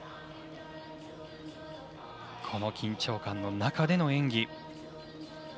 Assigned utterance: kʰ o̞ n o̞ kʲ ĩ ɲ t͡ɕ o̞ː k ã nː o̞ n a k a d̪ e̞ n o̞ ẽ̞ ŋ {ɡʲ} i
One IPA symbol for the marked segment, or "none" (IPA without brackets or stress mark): ɡʲ